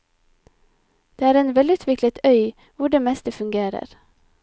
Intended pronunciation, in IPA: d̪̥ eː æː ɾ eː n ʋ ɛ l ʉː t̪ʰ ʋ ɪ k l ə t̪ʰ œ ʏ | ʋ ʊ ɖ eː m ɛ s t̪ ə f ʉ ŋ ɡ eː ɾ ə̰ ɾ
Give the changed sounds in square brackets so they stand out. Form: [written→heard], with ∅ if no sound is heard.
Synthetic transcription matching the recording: d̪̥ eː æː ɾ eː n ʋ ɛ l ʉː t̪ʰ ʋ ɪ k l ə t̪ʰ œ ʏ | ʋ ʊ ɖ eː m ɛ s t̪ ə f ʉ ŋ ɡ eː ɾ ə̰ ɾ